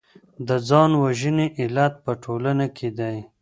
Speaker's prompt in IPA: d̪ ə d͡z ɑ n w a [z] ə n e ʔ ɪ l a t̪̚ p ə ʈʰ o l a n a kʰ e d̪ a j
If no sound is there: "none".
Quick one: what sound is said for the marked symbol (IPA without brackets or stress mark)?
ʒ